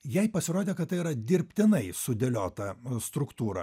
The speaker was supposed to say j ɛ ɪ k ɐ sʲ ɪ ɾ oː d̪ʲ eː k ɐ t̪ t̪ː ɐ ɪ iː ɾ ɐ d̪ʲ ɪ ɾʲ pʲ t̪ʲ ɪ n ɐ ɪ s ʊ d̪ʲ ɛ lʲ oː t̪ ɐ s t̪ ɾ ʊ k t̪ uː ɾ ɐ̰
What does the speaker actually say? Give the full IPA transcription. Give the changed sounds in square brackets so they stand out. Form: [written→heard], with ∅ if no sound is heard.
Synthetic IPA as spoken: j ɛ ɪ [k→p] ɐ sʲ ɪ ɾ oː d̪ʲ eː k ɐ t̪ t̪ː ɐ ɪ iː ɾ ɐ d̪ʲ ɪ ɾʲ pʲ t̪ʲ ɪ n ɐ ɪ s ʊ d̪ʲ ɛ lʲ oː t̪ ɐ s t̪ ɾ ʊ k t̪ uː ɾ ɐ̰

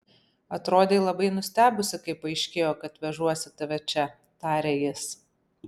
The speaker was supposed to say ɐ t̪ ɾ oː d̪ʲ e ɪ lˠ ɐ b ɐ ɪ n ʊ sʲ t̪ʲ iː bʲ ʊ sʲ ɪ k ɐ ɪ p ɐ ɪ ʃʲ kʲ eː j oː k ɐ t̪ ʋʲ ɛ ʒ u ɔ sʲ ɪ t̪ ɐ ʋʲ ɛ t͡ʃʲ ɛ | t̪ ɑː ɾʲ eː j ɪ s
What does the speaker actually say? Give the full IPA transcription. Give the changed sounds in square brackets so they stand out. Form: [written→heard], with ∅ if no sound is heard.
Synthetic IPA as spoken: ɐ t̪ ɾ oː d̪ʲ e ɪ lˠ ɐ b ɐ ɪ n ʊ sʲ t̪ʲ [iː→æː] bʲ ʊ sʲ ɪ k ɐ ɪ p ɐ ɪ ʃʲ kʲ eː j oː k ɐ t̪ ʋʲ ɛ ʒ u ɔ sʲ ɪ t̪ ɐ ʋʲ ɛ t͡ʃʲ ɛ | t̪ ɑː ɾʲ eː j ɪ s

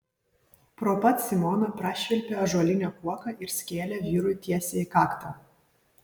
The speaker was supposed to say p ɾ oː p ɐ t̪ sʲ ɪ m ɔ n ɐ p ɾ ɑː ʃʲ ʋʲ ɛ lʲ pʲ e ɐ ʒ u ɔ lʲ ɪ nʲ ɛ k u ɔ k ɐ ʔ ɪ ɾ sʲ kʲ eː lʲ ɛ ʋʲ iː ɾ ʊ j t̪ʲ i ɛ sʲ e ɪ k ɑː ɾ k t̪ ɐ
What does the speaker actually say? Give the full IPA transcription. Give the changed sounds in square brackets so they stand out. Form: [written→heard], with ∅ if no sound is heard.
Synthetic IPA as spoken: p ɾ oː p ɐ t̪ sʲ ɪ m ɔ n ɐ p ɾ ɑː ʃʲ ʋʲ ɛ lʲ pʲ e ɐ ʒ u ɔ lʲ ɪ nʲ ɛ k u ɔ k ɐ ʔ ɪ ɾ sʲ kʲ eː lʲ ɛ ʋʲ iː ɾ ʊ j t̪ʲ i ɛ sʲ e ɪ k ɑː [ɾ→∅] k t̪ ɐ

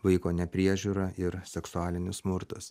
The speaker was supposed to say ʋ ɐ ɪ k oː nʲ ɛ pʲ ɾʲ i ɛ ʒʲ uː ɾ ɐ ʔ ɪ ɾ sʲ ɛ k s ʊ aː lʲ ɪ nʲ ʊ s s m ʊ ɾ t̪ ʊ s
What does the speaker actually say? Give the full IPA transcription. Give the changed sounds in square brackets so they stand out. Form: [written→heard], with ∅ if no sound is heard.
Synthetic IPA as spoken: ʋ ɐ ɪ k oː nʲ ɛ pʲ ɾʲ i ɛ ʒʲ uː ɾ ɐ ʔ ɪ ɾ sʲ ɛ k s ʊ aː lʲ ɪ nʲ ʊ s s m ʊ ɾ t̪ ʊ s

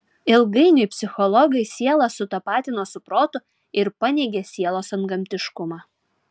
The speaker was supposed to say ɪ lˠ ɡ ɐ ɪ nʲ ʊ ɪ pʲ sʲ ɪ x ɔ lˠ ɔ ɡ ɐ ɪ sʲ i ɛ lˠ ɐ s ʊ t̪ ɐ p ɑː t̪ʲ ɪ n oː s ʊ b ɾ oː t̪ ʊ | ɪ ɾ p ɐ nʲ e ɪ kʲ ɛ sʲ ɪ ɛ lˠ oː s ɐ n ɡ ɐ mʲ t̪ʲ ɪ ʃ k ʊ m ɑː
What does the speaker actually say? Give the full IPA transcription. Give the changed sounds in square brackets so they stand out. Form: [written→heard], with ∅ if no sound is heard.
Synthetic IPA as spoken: ɪ lˠ ɡ ɐ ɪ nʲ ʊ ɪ pʲ sʲ ɪ x ɔ lˠ ɔ ɡ ɐ ɪ sʲ i ɛ lˠ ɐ s ʊ t̪ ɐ p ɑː t̪ʲ ɪ n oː s ʊ [b→p] ɾ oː t̪ ʊ | ɪ ɾ p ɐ nʲ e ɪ [kʲ→ɡʲ] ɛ sʲ [ɪ→i] ɛ lˠ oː s ɐ n ɡ ɐ mʲ t̪ʲ ɪ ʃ k ʊ m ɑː

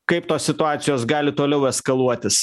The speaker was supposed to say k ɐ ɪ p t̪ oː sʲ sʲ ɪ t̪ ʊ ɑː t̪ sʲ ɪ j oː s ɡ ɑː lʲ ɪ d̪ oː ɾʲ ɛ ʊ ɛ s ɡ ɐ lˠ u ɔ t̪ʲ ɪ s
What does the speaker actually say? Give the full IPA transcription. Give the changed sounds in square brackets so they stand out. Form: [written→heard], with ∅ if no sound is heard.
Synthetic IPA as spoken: k ɐ ɪ p t̪ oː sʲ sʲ ɪ t̪ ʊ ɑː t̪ sʲ ɪ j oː s ɡ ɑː lʲ ɪ [d̪→t̪] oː [ɾʲ→lʲ] ɛ ʊ ɛ s [ɡ→k] ɐ lˠ u ɔ t̪ʲ ɪ s

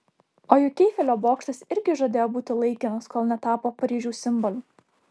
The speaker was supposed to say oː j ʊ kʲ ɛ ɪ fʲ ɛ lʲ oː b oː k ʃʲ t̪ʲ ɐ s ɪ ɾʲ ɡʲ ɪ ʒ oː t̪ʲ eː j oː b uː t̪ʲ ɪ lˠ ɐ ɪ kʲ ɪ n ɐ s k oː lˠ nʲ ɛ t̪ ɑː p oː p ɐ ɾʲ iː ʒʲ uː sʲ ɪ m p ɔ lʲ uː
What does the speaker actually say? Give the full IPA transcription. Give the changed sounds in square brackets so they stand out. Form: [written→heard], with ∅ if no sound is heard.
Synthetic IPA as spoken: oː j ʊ kʲ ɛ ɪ fʲ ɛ lʲ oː b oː k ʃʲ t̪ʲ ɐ s ɪ ɾʲ ɡʲ ɪ ʒ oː [t̪ʲ→d̪ʲ] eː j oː b uː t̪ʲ ɪ lˠ ɐ ɪ kʲ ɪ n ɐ s k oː lˠ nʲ ɛ t̪ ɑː p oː p ɐ ɾʲ iː ʒʲ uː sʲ ɪ m [p→b] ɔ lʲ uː

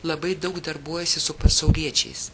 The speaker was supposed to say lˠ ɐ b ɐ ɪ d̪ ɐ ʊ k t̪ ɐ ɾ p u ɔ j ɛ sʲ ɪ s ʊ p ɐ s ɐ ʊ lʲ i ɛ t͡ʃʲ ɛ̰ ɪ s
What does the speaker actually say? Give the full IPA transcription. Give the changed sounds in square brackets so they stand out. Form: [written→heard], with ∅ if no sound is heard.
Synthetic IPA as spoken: lˠ ɐ b ɐ ɪ d̪ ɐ ʊ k [t̪→d̪] ɐ ɾ [p→b] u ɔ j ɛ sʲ ɪ s ʊ p ɐ s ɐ ʊ lʲ i ɛ t͡ʃʲ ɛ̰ ɪ s

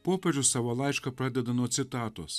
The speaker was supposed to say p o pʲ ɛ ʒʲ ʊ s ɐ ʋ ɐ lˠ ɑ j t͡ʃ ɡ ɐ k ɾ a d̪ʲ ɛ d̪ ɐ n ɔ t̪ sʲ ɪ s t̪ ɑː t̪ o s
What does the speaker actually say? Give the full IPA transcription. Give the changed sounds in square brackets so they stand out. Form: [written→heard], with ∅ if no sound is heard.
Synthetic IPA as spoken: p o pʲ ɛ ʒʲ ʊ s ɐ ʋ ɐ lˠ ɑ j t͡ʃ [ɡ→k] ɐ [k→p] ɾ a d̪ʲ ɛ d̪ ɐ n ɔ t̪ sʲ ɪ [s→∅] t̪ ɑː t̪ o s

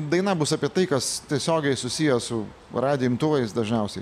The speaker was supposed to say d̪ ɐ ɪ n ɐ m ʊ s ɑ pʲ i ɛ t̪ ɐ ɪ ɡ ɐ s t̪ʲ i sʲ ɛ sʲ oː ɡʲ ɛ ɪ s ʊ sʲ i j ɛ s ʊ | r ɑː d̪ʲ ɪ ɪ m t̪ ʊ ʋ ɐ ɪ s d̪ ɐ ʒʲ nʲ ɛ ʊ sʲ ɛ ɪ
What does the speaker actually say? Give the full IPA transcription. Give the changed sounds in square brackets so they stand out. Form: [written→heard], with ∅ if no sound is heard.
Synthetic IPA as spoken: d̪ ɐ ɪ n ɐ [m→b] ʊ s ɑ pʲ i ɛ t̪ ɐ ɪ [ɡ→k] ɐ s t̪ʲ i [sʲ→∅] ɛ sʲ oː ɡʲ ɛ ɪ s ʊ sʲ i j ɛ s ʊ | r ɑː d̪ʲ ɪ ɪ m t̪ ʊ ʋ ɐ ɪ s d̪ ɐ ʒʲ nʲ ɛ ʊ sʲ ɛ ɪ

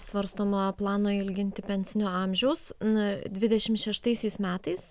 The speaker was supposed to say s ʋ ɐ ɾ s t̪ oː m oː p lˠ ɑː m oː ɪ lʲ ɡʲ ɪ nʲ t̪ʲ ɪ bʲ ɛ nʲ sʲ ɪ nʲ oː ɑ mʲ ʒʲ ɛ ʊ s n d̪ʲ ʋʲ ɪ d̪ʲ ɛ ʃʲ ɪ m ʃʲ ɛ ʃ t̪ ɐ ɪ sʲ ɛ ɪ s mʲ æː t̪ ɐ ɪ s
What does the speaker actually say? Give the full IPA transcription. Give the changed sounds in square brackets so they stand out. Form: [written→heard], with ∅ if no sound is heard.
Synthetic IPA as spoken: s ʋ ɐ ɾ s t̪ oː m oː p lˠ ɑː [m→n] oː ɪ lʲ ɡʲ ɪ nʲ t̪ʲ ɪ [bʲ→pʲ] ɛ nʲ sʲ ɪ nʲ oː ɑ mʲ ʒʲ ɛ ʊ s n d̪ʲ ʋʲ ɪ d̪ʲ ɛ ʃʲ ɪ m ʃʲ ɛ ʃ t̪ ɐ ɪ sʲ ɛ ɪ s mʲ æː t̪ ɐ ɪ s

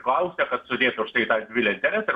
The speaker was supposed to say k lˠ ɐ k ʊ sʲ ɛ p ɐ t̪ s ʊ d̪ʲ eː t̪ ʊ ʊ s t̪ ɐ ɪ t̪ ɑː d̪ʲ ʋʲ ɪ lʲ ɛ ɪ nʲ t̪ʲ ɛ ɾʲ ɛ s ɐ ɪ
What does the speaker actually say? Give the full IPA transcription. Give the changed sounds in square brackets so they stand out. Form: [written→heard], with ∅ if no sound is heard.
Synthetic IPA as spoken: k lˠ ɐ [k→∅] ʊ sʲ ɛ [p→k] ɐ t̪ s ʊ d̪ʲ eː t̪ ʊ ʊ [s→ʃ] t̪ ɐ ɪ t̪ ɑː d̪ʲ ʋʲ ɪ lʲ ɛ ɪ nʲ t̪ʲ ɛ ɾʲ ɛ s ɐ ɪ

